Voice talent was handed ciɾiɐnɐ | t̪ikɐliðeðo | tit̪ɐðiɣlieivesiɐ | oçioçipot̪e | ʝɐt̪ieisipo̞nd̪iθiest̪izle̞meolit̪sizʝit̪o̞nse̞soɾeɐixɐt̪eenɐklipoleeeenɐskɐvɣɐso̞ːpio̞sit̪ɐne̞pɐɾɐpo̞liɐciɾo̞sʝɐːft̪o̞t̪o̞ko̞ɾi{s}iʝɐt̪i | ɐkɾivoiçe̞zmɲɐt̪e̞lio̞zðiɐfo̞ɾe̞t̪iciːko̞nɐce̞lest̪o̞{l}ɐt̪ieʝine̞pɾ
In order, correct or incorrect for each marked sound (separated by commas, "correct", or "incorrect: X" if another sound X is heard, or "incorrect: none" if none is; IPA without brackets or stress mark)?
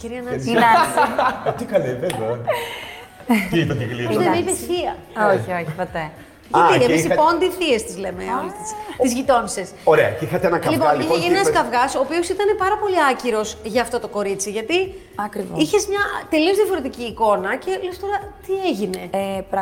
incorrect: t͡s, incorrect: ɾ